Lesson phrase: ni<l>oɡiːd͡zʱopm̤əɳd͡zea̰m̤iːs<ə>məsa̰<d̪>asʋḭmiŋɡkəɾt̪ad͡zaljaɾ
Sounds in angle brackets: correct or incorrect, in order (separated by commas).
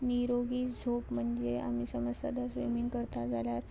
incorrect, correct, correct